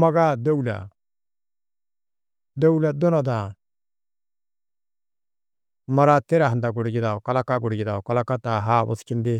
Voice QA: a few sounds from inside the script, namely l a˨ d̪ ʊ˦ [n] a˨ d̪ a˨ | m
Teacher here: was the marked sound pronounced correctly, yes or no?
yes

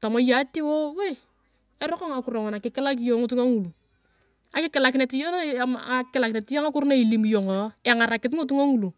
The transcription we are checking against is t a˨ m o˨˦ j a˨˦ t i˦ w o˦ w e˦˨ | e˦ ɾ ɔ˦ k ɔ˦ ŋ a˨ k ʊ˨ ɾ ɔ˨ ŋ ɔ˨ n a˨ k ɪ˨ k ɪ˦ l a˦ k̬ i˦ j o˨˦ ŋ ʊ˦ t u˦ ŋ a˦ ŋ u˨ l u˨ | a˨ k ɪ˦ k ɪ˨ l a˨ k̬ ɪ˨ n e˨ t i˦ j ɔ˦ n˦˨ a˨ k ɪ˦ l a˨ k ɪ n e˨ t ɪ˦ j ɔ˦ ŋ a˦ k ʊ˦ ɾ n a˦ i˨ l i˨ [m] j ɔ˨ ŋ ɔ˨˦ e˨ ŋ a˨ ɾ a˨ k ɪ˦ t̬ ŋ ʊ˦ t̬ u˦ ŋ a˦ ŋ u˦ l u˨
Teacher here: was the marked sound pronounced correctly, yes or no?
yes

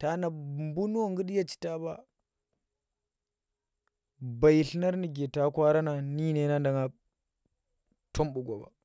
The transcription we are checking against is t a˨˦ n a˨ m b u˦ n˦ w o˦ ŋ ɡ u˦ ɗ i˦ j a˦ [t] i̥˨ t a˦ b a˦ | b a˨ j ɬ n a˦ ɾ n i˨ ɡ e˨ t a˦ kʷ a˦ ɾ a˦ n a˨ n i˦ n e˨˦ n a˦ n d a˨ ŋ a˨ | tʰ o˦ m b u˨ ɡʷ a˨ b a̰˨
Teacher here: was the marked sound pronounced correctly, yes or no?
no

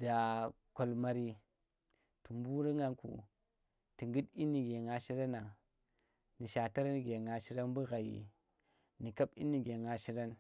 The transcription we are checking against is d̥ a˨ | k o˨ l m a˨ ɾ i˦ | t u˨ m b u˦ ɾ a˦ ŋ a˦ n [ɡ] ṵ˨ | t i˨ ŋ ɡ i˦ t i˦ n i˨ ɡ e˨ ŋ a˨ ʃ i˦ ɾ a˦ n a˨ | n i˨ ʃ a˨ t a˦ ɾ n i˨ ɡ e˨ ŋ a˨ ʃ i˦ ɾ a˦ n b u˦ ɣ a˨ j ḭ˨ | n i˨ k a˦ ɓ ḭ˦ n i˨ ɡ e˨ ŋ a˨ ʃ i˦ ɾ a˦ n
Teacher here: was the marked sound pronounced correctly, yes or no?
no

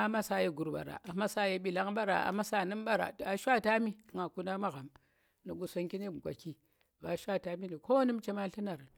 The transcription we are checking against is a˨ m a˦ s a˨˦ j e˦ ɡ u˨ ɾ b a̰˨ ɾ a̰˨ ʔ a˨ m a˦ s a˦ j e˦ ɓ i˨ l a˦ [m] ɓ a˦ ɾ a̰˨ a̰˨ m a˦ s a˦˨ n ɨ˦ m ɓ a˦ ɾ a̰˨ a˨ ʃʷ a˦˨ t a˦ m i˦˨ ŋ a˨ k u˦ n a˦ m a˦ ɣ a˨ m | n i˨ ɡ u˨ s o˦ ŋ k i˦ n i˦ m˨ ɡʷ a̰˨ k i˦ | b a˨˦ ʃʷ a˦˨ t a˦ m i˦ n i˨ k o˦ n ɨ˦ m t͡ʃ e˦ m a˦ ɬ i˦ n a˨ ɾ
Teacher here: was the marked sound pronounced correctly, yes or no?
no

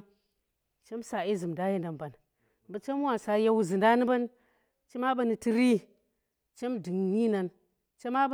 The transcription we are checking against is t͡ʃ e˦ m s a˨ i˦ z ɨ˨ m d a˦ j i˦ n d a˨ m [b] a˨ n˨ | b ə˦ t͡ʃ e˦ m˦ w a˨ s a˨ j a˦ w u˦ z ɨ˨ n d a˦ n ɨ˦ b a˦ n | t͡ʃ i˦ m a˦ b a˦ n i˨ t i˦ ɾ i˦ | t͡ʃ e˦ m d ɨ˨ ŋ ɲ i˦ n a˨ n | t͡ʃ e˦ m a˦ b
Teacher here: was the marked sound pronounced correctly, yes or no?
yes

